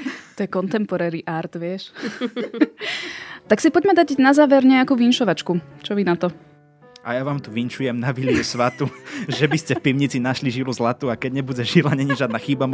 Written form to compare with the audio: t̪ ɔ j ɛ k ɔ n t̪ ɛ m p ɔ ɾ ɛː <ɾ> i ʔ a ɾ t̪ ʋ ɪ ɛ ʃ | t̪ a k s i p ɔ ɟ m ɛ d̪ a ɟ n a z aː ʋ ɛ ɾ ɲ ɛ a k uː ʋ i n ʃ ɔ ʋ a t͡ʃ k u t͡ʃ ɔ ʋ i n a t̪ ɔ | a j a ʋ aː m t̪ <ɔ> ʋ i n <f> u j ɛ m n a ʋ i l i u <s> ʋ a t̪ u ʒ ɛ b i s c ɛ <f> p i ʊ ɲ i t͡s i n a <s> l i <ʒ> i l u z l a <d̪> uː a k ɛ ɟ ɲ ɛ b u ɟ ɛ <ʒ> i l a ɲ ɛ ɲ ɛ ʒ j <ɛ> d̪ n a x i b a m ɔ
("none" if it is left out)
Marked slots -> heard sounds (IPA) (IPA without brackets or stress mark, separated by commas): ɾ, u, ʃ, s, f, ʃ, ʒ, t̪, ʒ, a